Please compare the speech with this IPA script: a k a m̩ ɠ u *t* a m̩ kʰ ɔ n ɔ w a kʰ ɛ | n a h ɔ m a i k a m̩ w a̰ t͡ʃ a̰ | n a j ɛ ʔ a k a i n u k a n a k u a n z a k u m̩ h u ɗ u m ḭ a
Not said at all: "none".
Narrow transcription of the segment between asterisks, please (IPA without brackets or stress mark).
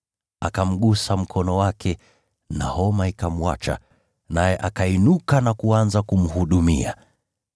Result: s